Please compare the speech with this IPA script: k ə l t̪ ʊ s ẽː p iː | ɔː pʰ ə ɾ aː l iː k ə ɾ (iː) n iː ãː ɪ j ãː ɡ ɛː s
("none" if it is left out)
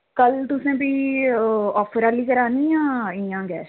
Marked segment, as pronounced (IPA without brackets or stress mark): aː